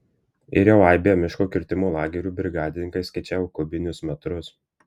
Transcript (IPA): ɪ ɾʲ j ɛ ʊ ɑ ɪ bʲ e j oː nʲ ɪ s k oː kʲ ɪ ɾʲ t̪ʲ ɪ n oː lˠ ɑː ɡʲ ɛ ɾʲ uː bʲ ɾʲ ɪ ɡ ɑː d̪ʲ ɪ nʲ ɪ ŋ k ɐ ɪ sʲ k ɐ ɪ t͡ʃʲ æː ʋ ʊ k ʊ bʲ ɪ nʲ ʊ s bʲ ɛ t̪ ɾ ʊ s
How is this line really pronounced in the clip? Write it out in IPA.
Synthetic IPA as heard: ɪ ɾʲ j ɛ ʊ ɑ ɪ bʲ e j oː mʲ ɪ ʃ k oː kʲ ɪ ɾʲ t̪ʲ ɪ m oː lˠ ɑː ɡʲ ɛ ɾʲ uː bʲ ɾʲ ɪ ɡ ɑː d̪ʲ ɪ nʲ ɪ ŋ k ɐ ɪ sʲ k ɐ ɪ t͡ʃʲ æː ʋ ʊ k ʊ bʲ ɪ nʲ ʊ s mʲ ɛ t̪ ɾ ʊ s